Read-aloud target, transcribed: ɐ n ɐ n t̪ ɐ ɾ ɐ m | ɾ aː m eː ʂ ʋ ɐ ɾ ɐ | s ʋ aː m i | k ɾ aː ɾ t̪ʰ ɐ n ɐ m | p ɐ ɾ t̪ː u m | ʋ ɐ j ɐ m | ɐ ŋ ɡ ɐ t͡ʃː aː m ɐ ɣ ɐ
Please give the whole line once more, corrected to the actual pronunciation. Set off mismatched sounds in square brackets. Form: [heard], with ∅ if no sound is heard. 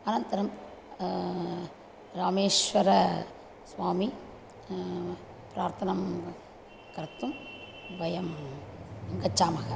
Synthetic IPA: ɐ n ɐ n t̪ ɐ ɾ ɐ m | ɾ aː m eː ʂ ʋ ɐ ɾ ɐ | s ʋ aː m i | [p] ɾ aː ɾ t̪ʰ ɐ n ɐ m | [k] ɐ ɾ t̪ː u m | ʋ ɐ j ɐ m | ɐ ŋ ɡ ɐ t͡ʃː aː m ɐ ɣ ɐ